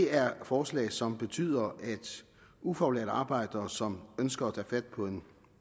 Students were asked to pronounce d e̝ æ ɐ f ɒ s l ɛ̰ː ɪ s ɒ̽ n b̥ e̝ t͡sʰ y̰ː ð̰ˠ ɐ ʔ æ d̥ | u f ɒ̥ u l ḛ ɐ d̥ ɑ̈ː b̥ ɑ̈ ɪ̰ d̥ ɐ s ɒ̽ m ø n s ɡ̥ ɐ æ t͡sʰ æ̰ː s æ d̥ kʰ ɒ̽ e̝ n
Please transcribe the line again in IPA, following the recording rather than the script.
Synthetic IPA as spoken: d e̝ æ ɐ f ɒː s l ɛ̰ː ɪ s ɒ̽ m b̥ e̝ t͡sʰ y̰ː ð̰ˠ ɐ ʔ æ d̥ | u f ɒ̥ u l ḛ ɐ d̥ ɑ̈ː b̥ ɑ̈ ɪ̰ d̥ ɐ s ɒ̽ m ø n s ɡ̥ ɐ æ t͡sʰ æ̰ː f æ d̥ pʰ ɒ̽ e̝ n